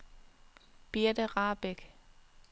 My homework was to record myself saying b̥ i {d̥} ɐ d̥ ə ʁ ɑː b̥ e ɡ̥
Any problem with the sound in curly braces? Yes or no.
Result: yes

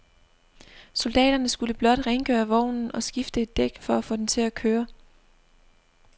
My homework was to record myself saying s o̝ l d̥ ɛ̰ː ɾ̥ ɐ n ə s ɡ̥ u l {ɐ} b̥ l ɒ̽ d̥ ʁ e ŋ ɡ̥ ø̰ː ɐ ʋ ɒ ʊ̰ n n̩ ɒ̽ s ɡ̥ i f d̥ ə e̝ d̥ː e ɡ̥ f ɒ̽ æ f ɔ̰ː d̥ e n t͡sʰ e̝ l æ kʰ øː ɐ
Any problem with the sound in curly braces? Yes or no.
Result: yes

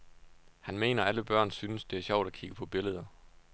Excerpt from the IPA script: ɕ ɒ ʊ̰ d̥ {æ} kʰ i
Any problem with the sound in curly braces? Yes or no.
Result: no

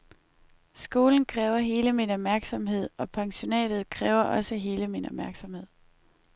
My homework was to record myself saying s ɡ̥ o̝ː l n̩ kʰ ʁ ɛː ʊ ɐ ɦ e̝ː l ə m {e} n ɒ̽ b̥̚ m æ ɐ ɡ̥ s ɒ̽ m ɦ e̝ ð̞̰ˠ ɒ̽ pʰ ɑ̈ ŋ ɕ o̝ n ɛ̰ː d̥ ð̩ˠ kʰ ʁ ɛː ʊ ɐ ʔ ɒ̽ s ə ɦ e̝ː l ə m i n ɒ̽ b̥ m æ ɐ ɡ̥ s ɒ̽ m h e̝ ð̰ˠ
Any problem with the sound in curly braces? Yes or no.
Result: yes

